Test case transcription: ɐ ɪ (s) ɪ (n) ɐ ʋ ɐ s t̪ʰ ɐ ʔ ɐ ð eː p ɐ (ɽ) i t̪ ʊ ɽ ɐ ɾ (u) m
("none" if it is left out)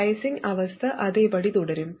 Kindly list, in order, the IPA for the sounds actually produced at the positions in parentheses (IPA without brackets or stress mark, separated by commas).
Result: s, ŋ, ɽ, ɯ